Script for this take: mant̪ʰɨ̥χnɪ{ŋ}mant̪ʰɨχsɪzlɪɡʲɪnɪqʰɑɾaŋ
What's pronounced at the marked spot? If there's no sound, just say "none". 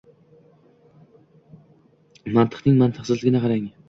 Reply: ŋ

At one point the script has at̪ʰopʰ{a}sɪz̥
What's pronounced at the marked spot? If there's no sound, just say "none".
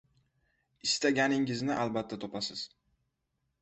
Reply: a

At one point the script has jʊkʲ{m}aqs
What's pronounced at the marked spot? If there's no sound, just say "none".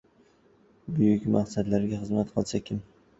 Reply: m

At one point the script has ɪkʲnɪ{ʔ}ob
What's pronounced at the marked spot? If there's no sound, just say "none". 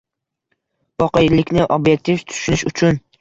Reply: ʔ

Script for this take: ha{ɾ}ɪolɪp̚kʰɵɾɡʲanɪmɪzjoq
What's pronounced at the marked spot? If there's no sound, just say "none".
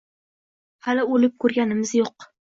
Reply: l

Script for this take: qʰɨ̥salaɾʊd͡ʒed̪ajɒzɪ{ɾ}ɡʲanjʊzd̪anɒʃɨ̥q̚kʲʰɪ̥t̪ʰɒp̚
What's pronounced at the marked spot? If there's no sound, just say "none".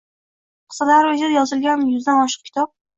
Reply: l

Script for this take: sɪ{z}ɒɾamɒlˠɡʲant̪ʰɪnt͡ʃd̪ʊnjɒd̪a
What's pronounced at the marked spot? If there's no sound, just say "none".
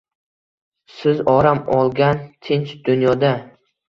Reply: z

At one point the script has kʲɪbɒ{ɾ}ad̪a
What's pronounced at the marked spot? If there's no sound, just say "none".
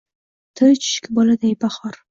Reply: l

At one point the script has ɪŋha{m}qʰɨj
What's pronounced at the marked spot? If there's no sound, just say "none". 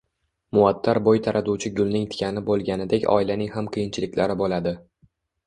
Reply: m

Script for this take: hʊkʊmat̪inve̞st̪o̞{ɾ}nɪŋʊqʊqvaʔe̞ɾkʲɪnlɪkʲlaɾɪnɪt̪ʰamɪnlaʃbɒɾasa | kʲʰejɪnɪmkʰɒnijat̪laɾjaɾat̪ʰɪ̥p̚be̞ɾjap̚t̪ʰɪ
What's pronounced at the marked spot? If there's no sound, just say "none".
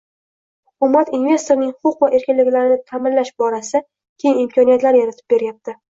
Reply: ɾ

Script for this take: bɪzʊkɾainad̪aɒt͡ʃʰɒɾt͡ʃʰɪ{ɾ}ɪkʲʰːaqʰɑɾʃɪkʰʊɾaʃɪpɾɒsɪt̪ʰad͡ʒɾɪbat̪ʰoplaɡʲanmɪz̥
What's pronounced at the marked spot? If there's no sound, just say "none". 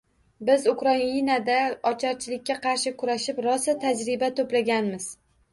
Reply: l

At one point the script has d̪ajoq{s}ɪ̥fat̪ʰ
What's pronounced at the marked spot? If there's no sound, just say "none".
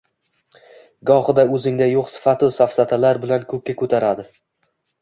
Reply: s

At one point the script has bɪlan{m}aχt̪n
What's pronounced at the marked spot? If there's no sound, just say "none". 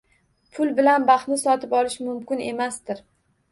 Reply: b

